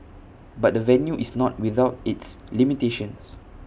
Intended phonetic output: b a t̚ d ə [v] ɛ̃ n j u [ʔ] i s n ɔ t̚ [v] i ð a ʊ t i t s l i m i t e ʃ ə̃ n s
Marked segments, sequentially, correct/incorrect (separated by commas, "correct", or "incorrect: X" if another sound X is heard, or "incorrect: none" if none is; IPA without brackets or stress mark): correct, correct, incorrect: w